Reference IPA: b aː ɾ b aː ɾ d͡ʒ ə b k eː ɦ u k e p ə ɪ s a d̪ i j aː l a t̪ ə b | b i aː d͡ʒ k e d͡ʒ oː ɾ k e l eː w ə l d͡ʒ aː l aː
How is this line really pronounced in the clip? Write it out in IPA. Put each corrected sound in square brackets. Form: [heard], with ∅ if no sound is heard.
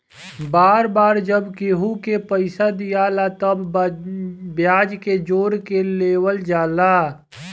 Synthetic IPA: b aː ɾ b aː ɾ d͡ʒ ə b k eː ɦ u k e p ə ɪ s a d̪ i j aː l a t̪ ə b | b [j] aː d͡ʒ k e d͡ʒ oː ɾ k e l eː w ə l d͡ʒ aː l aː